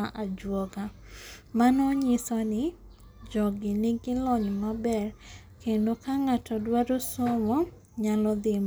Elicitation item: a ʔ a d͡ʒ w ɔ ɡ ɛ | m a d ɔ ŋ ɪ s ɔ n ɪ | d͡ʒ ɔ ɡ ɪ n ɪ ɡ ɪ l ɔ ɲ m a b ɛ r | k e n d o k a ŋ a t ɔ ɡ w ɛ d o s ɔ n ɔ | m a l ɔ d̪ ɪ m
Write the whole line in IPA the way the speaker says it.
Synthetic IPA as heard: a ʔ a d͡ʒ w ɔ ɡ a | m a n ɔ ɲ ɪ s ɔ n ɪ | d͡ʒ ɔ ɡ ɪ n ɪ ɡ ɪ l ɔ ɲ m a b ɛ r | k e n d o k a ŋ a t ɔ d w a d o s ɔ m ɔ | ɲ a l ɔ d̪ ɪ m